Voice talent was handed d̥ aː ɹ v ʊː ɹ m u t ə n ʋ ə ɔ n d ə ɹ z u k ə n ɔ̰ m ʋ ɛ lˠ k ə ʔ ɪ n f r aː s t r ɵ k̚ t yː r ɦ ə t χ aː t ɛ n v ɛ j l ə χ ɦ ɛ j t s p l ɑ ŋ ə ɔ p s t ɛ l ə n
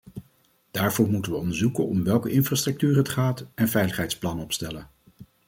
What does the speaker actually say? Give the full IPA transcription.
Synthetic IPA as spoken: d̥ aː ɹ v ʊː ɹ m u t ə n ʋ ə ɔ n d ə ɹ z u k ə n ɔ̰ m ʋ ɛ lˠ k ə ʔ ɪ n f r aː s t r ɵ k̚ t yː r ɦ ə t χ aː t ɛ n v ɛ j l ə χ ɦ ɛ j t s p l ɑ n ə ɔ p s t ɛ l ə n